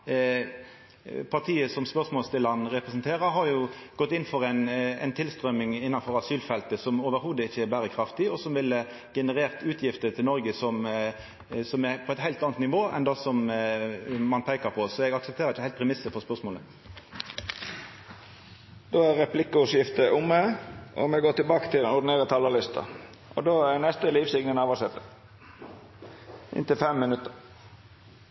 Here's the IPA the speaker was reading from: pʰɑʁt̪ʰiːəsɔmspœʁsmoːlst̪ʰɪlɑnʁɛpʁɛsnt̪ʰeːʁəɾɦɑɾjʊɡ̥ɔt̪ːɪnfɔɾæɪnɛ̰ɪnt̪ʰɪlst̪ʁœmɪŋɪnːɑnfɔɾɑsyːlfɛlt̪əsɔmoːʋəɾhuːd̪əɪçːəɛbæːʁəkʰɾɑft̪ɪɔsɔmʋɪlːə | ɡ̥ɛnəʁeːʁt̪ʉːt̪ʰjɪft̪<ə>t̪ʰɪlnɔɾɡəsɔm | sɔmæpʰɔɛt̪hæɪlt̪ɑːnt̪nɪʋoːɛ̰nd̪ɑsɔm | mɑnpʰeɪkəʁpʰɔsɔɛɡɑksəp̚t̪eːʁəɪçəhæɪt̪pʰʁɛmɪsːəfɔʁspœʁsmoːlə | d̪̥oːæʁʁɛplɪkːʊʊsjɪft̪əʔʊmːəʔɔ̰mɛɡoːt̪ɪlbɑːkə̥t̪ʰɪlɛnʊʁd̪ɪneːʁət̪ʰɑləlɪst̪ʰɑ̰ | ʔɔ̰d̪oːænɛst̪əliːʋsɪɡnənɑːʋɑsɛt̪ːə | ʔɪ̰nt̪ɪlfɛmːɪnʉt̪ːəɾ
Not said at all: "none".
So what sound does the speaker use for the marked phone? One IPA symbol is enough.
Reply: ə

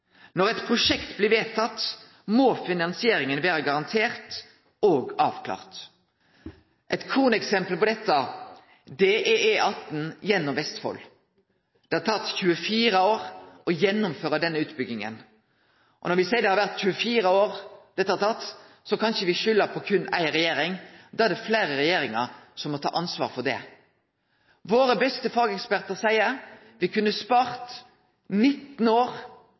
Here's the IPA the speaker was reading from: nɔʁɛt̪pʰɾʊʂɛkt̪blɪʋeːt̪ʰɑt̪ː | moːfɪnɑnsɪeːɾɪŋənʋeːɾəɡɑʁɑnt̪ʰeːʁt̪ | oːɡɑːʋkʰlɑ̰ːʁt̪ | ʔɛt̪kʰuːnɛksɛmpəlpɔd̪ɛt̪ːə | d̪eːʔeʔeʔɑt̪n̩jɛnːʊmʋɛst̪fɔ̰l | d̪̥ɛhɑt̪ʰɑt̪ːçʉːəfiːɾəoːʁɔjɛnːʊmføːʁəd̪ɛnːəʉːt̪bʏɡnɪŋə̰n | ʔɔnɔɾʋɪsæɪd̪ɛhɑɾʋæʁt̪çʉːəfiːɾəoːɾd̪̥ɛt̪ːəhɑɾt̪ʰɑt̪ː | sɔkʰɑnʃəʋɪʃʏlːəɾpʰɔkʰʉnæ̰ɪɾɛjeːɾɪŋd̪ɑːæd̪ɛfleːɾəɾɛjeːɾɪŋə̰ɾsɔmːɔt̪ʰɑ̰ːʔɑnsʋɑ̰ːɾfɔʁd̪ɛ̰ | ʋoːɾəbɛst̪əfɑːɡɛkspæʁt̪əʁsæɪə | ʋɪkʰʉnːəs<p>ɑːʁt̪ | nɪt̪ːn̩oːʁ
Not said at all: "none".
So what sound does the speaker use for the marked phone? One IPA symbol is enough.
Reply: p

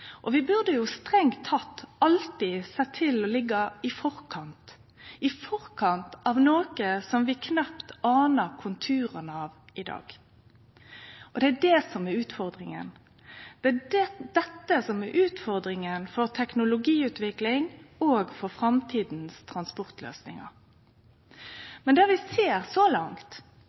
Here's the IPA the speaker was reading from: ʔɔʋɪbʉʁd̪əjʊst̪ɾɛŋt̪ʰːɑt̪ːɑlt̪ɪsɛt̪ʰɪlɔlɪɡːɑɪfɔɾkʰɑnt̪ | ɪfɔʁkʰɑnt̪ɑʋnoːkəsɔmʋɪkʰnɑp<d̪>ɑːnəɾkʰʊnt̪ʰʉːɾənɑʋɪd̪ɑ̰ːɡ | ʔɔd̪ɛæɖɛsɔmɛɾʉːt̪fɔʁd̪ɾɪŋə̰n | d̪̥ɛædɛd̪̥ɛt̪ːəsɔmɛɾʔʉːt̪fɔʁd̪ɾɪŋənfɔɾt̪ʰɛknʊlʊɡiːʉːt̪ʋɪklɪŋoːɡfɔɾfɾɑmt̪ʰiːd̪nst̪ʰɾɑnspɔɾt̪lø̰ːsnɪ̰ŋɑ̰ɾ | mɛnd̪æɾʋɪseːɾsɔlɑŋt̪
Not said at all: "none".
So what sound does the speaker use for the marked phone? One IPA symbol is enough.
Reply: t̪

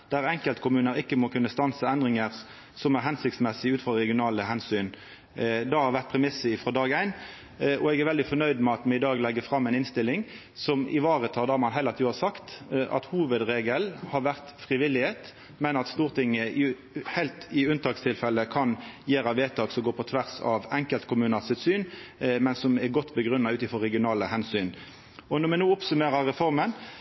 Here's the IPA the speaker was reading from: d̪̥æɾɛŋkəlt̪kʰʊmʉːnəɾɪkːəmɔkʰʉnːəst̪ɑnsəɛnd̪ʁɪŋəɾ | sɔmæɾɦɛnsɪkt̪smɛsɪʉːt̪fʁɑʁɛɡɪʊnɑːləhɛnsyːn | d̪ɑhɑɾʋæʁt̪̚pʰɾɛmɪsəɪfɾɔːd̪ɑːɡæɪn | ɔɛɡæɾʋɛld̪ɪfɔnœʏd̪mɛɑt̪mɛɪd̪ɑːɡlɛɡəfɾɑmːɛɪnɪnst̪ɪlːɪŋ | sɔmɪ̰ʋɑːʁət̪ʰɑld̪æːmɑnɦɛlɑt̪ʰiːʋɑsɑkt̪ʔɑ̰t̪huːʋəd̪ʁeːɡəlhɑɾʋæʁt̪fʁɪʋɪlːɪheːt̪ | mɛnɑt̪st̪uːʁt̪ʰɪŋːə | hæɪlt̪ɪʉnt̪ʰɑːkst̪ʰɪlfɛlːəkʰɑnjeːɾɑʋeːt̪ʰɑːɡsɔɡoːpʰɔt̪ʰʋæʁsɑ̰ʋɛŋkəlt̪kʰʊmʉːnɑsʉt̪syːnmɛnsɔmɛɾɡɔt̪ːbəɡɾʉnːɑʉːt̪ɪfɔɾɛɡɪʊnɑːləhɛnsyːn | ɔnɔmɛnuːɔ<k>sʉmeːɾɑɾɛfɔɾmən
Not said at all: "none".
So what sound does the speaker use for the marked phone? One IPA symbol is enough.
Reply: p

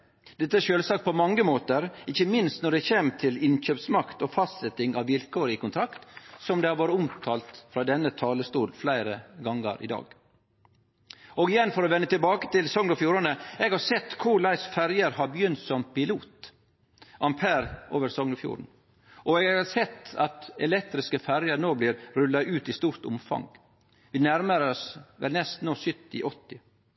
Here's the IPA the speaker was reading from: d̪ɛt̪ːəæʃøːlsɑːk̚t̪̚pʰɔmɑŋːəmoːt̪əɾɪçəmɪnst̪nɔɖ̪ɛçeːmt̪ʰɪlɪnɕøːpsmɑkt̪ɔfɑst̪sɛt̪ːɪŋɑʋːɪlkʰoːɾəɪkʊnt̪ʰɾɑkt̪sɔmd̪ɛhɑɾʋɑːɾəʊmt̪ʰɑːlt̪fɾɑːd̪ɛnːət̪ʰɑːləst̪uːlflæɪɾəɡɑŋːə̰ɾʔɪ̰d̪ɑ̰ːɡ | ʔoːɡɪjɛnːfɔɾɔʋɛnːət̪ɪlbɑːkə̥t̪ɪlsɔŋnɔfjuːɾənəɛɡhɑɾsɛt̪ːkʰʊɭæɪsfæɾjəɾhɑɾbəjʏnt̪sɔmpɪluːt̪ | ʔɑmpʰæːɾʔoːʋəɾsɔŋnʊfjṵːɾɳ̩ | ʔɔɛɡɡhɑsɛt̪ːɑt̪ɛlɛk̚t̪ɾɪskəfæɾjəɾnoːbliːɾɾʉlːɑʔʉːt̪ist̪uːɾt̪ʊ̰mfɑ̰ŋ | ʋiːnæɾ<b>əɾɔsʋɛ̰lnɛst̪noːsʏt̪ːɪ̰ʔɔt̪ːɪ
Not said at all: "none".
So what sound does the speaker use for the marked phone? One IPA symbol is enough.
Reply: m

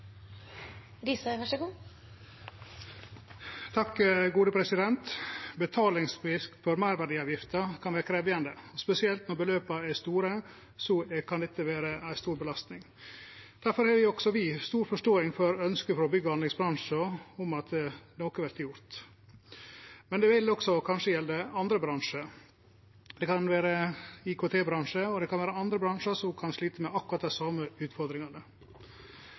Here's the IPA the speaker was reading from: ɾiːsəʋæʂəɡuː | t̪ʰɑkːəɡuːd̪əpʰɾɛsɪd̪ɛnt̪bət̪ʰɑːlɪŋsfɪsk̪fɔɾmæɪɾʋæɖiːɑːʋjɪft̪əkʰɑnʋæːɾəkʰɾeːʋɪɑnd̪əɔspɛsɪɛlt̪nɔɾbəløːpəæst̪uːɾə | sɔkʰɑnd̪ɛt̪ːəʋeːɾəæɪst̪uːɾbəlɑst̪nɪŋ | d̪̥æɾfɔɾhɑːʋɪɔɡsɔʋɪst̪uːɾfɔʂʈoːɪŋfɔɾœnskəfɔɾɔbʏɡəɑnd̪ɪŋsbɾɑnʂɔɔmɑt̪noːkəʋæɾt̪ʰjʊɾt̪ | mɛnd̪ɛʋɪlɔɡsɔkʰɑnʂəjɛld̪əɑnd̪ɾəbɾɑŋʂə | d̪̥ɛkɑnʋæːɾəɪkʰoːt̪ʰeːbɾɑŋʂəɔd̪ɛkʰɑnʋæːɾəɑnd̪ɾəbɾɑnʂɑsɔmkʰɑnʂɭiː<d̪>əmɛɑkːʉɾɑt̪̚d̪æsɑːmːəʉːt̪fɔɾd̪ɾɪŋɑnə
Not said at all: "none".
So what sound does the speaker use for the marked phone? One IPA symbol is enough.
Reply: t̪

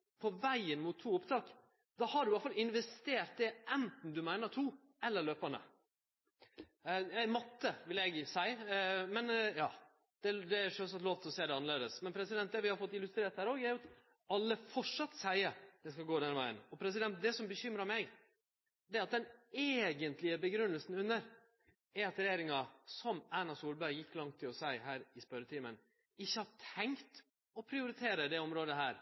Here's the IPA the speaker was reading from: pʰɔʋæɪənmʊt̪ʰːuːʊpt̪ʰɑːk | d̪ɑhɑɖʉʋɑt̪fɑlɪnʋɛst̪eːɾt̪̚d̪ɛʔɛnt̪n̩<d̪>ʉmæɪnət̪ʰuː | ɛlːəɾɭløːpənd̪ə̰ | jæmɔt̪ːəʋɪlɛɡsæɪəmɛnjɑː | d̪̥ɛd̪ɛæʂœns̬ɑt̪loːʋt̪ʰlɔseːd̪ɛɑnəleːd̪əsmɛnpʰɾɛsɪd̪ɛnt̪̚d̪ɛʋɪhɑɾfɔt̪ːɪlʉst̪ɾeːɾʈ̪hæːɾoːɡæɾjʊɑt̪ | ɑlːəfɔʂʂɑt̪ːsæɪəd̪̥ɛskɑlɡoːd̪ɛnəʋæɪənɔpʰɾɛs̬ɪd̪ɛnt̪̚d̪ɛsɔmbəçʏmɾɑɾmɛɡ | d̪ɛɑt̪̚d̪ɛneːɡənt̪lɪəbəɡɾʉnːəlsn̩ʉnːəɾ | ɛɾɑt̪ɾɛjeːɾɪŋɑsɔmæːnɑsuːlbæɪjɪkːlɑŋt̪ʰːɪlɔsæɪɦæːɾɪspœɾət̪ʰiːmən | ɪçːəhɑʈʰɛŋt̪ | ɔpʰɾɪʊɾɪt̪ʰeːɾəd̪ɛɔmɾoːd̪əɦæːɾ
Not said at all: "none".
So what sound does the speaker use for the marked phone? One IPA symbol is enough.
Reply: d̪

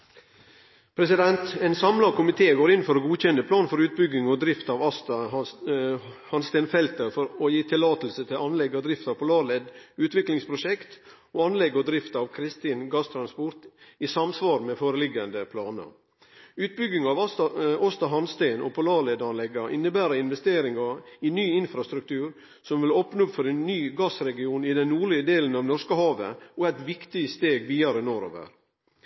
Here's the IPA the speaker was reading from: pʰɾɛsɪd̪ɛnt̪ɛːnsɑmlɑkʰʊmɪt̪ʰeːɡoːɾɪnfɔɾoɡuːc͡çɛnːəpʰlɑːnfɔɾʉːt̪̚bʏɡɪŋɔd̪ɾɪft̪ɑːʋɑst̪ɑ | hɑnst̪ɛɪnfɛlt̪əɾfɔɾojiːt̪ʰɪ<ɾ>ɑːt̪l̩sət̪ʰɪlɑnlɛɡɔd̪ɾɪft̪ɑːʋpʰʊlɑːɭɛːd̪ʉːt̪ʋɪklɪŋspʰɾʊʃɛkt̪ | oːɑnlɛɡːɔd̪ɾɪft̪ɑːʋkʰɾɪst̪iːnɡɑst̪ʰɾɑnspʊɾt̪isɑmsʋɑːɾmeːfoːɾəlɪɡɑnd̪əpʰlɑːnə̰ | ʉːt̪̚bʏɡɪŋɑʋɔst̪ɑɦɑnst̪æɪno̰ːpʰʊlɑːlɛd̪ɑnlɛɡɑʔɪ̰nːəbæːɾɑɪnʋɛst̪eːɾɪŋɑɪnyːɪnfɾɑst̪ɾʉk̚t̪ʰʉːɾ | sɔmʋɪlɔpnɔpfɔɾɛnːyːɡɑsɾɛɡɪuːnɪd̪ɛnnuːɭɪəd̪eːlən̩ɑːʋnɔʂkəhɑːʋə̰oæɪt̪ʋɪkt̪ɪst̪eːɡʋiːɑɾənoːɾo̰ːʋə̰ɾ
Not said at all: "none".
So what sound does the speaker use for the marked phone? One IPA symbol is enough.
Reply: l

